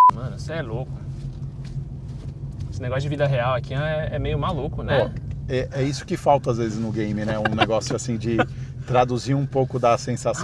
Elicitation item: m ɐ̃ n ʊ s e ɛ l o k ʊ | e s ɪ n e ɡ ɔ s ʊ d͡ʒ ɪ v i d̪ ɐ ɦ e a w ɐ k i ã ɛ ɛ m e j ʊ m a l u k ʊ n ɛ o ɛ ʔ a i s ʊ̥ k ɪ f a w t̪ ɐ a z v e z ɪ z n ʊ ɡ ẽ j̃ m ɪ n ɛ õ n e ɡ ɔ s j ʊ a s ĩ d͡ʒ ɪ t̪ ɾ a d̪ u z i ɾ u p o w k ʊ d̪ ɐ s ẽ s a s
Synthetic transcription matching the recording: m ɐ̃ n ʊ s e ɛ l o k ʊ | e s ɪ n e ɡ ɔ s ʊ d͡ʒ ɪ v i d̪ ɐ ɦ e a w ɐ k i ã ɛ ɛ m e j ʊ m a l u k ʊ n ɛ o ɛ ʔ ɛ i s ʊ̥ k ɪ f a w t̪ ɐ a z v e z ɪ z n ʊ ɡ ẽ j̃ m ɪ n ɛ ũ n e ɡ ɔ s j ʊ a s ĩ d͡ʒ ɪ t̪ ɾ a d̪ u z i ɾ ũ p o w k ʊ d̪ ɐ s ẽ s a s